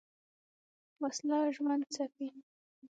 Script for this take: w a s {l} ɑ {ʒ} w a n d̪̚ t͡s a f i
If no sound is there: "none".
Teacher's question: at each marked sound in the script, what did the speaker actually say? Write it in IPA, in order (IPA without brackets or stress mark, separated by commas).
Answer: l, ʒ